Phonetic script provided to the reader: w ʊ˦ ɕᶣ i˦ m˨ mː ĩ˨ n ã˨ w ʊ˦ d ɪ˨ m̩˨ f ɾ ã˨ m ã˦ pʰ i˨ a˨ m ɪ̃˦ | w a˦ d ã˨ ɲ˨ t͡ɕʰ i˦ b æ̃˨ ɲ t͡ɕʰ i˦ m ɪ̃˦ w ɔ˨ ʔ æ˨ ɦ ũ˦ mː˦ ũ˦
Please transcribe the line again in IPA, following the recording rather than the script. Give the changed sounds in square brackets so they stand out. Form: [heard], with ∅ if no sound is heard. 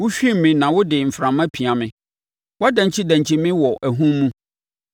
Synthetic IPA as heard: w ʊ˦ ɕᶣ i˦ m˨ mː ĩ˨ n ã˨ w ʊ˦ d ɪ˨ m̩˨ f ɾ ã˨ m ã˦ pʰ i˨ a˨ m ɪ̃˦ | w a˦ d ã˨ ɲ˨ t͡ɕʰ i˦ [d] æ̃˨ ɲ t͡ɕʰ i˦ m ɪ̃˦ w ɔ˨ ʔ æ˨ ɦ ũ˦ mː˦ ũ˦

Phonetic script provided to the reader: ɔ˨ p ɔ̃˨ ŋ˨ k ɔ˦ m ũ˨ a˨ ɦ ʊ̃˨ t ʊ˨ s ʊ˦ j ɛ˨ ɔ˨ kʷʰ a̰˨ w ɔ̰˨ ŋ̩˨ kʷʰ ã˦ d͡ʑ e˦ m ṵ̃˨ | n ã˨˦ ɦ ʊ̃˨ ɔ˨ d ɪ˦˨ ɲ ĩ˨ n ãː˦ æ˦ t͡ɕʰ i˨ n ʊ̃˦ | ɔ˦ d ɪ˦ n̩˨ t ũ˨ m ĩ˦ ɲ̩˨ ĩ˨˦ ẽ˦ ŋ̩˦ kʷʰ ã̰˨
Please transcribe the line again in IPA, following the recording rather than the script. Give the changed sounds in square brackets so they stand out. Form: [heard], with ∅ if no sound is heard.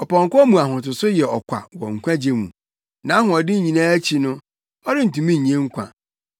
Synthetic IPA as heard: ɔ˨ p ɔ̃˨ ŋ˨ k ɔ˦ m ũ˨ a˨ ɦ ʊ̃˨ t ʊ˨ s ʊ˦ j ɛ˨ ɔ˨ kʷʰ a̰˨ w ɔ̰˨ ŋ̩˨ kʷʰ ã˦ d͡ʑ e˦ m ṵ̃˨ | n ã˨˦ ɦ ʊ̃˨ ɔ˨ d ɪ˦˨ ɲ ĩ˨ n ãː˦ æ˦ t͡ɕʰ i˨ n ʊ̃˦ | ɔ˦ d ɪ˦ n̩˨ t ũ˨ m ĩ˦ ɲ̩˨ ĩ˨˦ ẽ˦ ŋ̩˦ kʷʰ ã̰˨

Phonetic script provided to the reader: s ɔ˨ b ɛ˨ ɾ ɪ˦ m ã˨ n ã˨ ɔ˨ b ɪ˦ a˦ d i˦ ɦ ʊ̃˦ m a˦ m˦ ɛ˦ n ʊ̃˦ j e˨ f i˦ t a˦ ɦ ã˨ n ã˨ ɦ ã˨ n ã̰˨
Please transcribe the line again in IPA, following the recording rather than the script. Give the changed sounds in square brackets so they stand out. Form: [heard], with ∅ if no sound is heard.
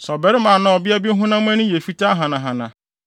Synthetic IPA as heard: s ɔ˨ b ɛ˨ ɾ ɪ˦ m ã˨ n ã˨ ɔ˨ b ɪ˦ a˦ [b] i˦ ɦ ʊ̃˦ [n] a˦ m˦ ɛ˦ n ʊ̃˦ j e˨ f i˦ t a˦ ɦ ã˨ n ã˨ ɦ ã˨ n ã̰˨

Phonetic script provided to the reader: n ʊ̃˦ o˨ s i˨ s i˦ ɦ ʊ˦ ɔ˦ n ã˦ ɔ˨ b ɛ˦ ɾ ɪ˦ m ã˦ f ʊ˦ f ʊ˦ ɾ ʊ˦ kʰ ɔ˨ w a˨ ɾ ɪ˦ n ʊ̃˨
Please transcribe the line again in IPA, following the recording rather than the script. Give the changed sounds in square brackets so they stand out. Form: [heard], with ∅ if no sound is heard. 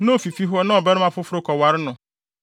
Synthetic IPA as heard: n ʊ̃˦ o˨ [f] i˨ [f] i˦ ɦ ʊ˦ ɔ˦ n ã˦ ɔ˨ b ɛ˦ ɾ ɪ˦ m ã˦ f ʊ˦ f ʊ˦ ɾ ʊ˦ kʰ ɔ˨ w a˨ ɾ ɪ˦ n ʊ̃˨

